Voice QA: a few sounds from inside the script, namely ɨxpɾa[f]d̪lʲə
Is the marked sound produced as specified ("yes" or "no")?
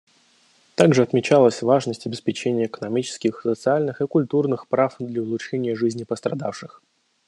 yes